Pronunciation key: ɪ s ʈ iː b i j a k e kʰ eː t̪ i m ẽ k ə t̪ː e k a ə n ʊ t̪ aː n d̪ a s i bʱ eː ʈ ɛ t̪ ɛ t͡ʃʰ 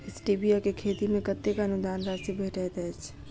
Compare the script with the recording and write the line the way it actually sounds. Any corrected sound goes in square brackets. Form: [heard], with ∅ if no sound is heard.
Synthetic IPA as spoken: ɪ s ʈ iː b i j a k e kʰ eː t̪ i m ẽ k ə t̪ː e k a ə n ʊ [d̪] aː n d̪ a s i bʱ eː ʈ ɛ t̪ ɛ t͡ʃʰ